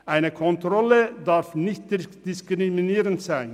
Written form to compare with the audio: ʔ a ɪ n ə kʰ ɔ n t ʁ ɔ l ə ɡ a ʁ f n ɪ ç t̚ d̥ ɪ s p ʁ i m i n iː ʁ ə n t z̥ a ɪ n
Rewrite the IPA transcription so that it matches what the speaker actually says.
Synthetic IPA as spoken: ʔ a ɪ n ə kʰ ɔ n t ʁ ɔ l ə d a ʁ f n ɪ ç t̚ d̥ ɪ s k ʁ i m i n iː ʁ ə n t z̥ a ɪ n